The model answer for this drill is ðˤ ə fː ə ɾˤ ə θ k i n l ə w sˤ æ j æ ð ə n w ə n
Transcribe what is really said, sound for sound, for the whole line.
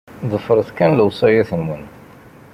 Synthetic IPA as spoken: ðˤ ə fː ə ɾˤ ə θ k æ n l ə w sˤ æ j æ θ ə n w ə n